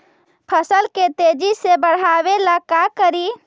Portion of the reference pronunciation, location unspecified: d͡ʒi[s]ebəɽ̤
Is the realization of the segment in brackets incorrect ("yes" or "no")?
no